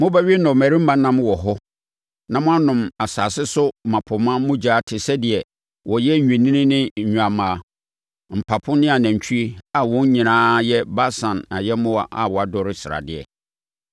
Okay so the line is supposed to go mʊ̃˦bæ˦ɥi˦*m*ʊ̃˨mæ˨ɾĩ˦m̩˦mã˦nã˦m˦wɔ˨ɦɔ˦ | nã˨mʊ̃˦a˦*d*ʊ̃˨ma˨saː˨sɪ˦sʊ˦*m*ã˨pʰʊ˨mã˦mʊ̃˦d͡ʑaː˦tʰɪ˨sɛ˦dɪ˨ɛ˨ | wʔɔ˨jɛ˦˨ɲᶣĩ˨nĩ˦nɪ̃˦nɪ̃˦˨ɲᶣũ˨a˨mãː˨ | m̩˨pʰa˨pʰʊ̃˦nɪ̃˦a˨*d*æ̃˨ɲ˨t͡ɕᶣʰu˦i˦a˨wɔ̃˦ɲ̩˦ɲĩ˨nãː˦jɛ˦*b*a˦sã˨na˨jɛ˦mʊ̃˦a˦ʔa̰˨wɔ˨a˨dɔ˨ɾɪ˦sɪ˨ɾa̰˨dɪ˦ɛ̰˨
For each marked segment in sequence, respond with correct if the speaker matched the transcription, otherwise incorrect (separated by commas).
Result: incorrect, incorrect, correct, incorrect, correct